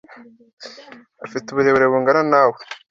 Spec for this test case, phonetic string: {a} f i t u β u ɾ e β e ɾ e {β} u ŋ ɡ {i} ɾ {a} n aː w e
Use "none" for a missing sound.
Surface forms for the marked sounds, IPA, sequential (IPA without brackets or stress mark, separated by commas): a, β, a, a